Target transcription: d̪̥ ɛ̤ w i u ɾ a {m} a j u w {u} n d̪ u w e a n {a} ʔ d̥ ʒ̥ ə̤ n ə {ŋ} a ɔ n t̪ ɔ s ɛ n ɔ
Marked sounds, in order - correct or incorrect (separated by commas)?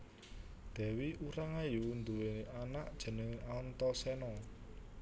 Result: incorrect, correct, correct, correct